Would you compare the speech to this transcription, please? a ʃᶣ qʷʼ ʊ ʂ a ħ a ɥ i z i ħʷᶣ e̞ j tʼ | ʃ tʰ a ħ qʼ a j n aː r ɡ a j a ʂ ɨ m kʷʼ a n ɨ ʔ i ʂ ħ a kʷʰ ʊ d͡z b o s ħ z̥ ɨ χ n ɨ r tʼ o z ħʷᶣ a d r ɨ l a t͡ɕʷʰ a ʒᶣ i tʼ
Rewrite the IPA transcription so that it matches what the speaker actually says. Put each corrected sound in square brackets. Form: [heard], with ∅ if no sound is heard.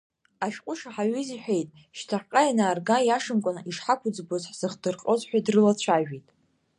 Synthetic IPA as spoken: a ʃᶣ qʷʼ ʊ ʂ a ħ a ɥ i z i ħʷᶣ e̞ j tʼ | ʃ tʰ a ħ qʼ a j n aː r ɡ a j a ʂ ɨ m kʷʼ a n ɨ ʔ i ʂ ħ a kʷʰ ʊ d͡z b o [z] ħ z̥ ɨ χ [d] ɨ r [qʼ] o z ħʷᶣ a d r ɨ l a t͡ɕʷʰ a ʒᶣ i tʼ